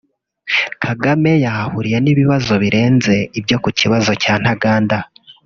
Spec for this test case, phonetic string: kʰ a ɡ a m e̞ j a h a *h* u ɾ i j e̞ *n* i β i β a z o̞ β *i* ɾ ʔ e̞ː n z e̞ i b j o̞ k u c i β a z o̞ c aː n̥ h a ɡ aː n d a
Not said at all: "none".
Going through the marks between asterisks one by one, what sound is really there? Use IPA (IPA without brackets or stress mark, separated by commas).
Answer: h, n, i